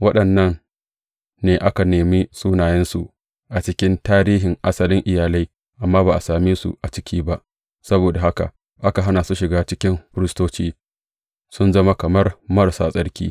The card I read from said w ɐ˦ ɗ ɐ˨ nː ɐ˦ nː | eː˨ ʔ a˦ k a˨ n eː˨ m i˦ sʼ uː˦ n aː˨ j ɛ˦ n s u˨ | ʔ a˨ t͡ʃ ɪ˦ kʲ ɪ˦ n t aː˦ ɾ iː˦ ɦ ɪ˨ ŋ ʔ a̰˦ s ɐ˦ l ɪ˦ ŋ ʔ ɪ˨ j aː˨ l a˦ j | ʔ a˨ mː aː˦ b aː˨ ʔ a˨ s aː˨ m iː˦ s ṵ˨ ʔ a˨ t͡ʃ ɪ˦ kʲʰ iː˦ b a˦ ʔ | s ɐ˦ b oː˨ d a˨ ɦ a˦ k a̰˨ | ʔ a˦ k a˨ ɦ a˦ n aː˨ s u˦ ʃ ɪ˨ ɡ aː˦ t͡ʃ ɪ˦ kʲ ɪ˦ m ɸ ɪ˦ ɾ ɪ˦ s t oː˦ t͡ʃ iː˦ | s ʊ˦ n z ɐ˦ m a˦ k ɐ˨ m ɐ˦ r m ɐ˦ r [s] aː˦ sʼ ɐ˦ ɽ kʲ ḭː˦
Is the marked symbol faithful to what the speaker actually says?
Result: yes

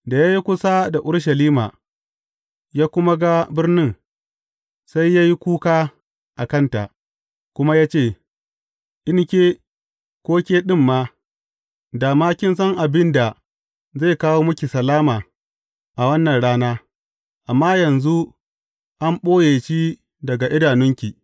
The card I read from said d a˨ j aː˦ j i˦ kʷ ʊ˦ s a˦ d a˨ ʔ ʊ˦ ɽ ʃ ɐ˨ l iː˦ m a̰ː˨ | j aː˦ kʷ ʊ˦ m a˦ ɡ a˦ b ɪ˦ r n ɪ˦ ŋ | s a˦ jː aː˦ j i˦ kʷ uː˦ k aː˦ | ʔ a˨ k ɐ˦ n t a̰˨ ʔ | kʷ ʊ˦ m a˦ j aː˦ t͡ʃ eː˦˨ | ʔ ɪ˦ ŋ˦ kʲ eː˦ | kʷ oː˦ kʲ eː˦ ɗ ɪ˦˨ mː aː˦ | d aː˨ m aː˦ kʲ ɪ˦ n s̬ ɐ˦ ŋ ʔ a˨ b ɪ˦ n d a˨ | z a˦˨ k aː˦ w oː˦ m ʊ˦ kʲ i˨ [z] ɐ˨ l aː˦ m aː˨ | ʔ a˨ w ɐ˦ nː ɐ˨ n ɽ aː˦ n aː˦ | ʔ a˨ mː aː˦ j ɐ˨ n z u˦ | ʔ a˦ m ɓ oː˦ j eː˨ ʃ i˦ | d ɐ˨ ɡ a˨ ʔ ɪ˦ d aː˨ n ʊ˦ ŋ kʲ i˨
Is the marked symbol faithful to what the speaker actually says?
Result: no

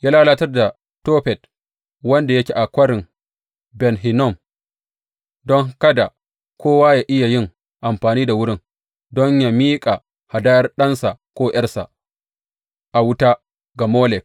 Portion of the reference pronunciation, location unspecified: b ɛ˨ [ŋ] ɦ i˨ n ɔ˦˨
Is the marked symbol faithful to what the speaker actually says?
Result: no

